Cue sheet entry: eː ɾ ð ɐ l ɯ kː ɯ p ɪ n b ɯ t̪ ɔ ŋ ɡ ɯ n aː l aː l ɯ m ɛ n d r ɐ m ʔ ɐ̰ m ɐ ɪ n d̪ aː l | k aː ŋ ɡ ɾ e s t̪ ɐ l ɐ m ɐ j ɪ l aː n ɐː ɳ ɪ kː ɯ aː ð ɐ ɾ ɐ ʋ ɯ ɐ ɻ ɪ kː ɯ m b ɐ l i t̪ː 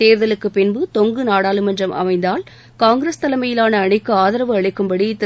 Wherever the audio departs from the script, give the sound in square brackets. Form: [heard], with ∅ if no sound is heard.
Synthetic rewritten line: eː ɾ ð ɐ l ɯ kː ɯ p ɪ n b ɯ t̪ ɔ ŋ ɡ ɯ n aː [ɽ] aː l ɯ m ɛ n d r ɐ m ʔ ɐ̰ m ɐ ɪ n d̪ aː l | k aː ŋ ɡ ɾ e s t̪ ɐ l ɐ m ɐ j ɪ l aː n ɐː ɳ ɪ kː ɯ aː ð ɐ ɾ ɐ ʋ ɯ ɐ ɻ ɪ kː ɯ m b ɐ [ɽ] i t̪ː

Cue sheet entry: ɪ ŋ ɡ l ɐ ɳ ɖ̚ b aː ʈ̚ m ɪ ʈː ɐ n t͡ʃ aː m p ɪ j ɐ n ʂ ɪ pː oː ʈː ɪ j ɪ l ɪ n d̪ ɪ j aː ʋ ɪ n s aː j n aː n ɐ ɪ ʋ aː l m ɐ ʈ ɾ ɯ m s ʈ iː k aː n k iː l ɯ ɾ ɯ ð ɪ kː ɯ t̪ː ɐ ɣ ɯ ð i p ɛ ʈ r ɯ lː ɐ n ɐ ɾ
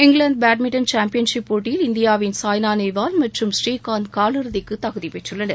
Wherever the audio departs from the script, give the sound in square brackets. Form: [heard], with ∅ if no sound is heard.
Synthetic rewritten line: ɪ ŋ ɡ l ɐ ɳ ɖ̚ b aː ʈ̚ m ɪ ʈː ɐ n t͡ʃ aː m p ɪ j ɐ n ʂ ɪ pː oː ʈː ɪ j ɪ l ɪ n d̪ ɪ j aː ʋ ɪ n s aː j n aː n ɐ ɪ ʋ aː l m ɐ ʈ [r] ɯ m s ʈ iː k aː n k [aː] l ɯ ɾ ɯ ð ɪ kː ɯ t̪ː ɐ ɣ ɯ ð i p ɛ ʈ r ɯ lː ɐ n ɐ ɾ

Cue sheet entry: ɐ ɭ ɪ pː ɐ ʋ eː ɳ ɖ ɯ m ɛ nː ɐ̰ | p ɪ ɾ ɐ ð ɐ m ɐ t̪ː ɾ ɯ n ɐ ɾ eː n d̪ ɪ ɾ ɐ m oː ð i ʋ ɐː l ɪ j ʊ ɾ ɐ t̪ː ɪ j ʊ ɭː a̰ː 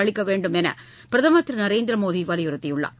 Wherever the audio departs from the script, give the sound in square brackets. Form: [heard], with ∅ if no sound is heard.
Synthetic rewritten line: ɐ ɭ ɪ [kː] ɐ ʋ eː ɳ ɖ ɯ m ɛ [n] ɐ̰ | p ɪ ɾ ɐ ð ɐ m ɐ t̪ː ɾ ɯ n ɐ ɾ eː n d̪ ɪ ɾ ɐ m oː ð i ʋ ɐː l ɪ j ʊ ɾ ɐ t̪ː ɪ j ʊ ɭː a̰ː

